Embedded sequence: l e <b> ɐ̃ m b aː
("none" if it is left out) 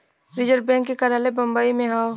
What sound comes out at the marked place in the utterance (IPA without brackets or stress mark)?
b